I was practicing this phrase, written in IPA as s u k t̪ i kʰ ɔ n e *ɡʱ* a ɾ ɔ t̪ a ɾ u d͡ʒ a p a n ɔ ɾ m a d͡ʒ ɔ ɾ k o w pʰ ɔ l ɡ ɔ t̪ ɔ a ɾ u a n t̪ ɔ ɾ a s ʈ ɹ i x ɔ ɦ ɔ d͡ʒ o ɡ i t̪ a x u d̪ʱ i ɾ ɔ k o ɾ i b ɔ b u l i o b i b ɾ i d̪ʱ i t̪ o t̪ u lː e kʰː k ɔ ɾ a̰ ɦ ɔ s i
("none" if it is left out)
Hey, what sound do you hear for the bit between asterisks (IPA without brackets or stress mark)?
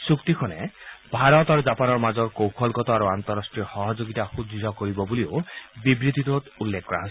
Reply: bʱ